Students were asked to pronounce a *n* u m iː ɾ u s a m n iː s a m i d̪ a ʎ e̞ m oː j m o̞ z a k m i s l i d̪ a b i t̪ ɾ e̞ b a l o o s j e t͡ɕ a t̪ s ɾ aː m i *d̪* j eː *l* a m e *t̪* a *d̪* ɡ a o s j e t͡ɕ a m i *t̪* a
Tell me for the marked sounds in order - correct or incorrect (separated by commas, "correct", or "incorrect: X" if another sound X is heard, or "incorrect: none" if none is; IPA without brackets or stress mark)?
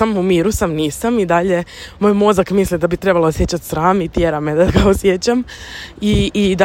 incorrect: m, incorrect: t̪, incorrect: ɾ, incorrect: d̪, incorrect: none, incorrect: d̪